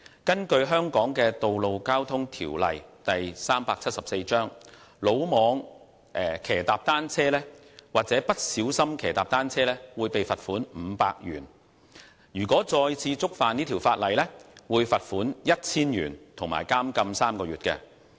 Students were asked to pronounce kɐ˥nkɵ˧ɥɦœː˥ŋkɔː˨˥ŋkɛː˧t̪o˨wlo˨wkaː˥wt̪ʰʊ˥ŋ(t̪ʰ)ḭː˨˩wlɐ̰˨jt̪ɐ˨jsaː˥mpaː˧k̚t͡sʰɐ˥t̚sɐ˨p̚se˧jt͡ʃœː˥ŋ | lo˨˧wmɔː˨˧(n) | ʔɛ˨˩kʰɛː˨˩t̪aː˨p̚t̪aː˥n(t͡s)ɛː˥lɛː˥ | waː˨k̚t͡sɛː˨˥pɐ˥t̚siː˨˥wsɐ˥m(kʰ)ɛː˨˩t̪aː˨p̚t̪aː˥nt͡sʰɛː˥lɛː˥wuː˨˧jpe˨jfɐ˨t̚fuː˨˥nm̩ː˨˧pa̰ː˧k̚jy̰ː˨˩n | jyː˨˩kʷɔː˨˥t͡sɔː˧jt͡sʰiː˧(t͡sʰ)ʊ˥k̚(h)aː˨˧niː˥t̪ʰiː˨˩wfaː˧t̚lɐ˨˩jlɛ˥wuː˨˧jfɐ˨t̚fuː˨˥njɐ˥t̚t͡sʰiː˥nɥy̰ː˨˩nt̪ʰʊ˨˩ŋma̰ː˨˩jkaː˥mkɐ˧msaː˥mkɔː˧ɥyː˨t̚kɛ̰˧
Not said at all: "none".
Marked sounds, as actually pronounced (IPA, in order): t̪ʰ, ŋ, t͡sʰ, kʰ, t͡s, f

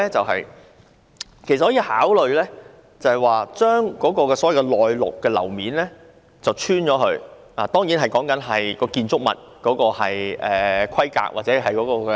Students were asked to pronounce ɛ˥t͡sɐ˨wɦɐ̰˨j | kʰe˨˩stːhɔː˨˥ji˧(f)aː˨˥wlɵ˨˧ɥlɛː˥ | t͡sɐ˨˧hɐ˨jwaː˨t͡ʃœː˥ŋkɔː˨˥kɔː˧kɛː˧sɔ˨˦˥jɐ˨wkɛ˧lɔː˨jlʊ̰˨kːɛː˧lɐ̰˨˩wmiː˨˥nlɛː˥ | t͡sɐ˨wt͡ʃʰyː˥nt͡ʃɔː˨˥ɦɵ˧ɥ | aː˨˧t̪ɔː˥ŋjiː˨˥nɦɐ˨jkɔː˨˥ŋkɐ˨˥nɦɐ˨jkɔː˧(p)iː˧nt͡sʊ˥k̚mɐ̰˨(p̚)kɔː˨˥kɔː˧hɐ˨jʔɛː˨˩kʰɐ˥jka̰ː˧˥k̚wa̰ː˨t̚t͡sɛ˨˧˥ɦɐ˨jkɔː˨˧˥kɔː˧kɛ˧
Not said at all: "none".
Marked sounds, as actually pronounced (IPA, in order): h, k, t̚

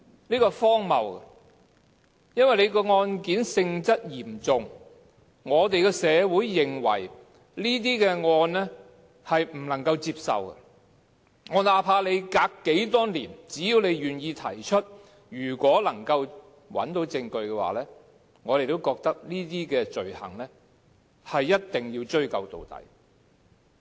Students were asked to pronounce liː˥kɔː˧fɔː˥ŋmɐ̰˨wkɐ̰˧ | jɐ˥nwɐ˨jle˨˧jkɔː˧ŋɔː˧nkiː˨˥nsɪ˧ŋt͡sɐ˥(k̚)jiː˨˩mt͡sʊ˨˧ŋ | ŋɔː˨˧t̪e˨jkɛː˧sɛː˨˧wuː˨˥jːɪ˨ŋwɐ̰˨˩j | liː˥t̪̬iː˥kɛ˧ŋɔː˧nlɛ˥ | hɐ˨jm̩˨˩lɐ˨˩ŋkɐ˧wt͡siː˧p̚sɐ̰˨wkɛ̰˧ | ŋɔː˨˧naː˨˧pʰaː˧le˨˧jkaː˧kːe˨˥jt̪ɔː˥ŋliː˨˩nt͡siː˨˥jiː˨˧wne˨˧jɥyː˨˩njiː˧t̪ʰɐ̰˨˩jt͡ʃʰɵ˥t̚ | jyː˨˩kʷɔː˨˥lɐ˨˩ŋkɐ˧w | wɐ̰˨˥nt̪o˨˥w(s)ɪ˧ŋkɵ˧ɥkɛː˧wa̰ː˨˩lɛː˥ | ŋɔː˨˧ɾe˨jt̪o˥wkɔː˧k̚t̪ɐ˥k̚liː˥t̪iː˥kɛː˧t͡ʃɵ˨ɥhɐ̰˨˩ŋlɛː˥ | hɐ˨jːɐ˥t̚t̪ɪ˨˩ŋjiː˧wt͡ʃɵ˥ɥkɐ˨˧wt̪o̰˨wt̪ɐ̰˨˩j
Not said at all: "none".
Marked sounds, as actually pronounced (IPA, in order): t̚, t͡s

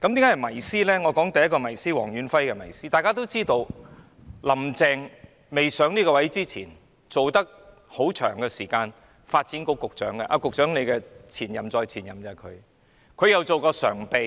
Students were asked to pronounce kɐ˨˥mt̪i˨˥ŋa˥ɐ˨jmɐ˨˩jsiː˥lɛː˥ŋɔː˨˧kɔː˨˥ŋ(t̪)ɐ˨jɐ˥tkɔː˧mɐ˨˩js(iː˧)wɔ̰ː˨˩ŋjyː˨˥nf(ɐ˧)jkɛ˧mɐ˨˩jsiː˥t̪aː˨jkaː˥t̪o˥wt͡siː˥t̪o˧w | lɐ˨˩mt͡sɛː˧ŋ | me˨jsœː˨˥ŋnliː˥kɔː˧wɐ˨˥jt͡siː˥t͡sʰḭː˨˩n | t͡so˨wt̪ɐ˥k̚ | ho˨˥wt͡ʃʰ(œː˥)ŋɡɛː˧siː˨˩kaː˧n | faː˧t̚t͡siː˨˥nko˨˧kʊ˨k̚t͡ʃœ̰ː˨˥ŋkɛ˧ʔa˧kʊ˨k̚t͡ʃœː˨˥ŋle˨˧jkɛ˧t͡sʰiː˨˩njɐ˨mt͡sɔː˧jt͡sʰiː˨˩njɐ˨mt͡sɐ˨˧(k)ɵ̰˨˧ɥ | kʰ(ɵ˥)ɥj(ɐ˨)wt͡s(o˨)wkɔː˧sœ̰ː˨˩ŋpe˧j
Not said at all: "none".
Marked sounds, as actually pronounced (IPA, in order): t̪, iː˥, ɐ˥, œː˨˩, kʰ, ɵ˨˧, ɐ˨, o˨

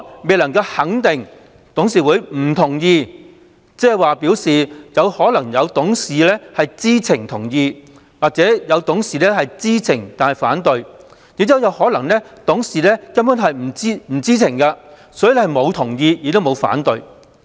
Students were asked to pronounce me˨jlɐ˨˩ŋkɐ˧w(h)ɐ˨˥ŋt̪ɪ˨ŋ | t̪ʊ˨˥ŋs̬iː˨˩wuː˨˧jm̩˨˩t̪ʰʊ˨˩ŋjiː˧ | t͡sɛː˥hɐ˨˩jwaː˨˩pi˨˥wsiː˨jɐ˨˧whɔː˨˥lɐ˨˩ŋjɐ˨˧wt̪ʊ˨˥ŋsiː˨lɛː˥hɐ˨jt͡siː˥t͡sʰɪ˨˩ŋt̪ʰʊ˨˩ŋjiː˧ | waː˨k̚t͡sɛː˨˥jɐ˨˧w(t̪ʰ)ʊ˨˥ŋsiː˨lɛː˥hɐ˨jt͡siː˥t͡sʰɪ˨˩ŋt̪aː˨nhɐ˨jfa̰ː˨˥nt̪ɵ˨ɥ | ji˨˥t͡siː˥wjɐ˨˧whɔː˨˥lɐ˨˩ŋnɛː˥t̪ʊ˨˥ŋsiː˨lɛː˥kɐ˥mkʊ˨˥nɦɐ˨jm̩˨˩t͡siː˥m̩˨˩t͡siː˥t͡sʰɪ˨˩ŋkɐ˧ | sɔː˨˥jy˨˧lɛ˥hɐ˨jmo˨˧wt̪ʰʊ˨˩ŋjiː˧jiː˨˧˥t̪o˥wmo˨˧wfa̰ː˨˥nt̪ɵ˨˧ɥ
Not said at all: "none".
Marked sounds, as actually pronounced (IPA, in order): h, t̪

